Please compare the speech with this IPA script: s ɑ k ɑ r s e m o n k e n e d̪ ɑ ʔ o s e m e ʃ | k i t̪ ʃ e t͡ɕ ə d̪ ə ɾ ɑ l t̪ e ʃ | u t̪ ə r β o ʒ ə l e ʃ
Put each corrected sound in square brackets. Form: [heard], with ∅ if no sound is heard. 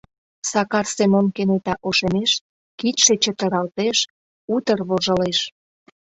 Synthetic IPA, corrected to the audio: s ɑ k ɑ r s e m o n k e n e [t̪] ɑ ʔ o [ʃ] e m e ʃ | k i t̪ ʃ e t͡ɕ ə [t̪] ə ɾ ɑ l t̪ e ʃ | u t̪ ə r β o ʒ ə l e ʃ